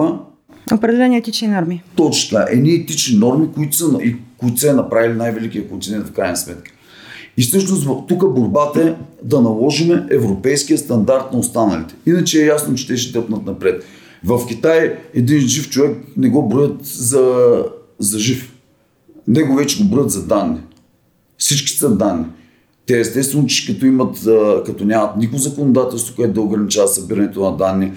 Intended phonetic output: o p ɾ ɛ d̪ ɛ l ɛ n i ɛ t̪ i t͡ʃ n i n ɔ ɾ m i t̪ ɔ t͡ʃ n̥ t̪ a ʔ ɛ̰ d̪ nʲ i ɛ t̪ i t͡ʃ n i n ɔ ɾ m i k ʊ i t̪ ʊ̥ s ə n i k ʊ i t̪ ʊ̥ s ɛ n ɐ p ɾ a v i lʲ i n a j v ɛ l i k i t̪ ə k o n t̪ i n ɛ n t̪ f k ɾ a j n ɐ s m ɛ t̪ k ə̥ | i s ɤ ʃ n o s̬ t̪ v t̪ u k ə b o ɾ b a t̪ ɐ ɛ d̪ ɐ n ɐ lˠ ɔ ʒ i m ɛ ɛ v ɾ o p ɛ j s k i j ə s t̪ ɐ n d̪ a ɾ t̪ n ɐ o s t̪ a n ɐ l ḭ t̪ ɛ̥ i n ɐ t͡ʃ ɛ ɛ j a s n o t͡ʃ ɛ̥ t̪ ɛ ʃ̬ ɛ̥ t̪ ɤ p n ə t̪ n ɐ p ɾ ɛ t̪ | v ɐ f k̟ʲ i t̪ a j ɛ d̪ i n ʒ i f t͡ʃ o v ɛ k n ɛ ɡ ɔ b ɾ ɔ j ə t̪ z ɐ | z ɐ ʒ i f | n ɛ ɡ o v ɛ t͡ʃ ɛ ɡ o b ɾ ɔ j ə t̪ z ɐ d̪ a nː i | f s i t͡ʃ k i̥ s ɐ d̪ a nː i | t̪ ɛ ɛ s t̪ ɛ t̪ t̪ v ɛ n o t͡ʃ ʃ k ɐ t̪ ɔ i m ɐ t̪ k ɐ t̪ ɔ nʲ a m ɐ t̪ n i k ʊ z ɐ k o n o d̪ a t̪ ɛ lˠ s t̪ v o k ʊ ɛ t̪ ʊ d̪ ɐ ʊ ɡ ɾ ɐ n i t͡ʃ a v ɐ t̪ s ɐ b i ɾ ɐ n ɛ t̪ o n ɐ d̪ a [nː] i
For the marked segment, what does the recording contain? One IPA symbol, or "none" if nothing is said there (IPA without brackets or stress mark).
nː